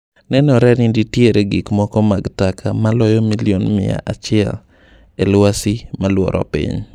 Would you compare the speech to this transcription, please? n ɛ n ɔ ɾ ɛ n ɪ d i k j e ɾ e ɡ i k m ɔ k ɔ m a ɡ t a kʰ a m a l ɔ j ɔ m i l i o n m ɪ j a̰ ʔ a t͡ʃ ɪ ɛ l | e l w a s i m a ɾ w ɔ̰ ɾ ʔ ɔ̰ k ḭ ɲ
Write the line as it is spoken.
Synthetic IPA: n ɛ n ɔ ɾ ɛ n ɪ d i t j e ɾ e ɡ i k m ɔ k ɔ m a ɡ t a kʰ a m a l ɔ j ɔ m i l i o n m ɪ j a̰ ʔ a t͡ʃ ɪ ɛ l | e l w a s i m a l w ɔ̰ ɾ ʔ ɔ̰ p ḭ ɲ